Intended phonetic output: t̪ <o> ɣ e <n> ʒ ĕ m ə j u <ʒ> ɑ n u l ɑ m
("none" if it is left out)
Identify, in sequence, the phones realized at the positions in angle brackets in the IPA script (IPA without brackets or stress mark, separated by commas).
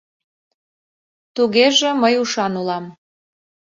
u, none, ʃ